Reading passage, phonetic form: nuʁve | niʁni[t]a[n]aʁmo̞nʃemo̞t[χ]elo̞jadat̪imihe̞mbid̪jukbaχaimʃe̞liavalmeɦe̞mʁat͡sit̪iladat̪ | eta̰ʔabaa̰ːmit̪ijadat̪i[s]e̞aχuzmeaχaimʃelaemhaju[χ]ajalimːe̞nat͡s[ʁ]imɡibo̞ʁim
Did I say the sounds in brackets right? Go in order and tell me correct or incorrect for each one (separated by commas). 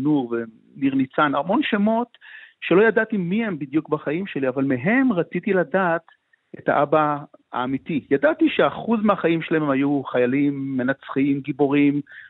incorrect, correct, incorrect, incorrect, correct, incorrect